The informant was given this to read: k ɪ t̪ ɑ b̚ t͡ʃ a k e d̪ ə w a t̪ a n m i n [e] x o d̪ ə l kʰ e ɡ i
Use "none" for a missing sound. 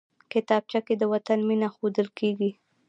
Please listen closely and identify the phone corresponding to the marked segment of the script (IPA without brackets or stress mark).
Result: a